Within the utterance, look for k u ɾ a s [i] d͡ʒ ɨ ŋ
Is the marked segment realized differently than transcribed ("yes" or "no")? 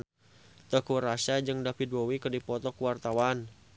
yes